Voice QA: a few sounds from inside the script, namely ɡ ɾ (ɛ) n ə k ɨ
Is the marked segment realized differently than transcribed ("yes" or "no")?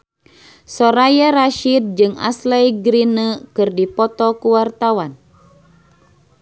yes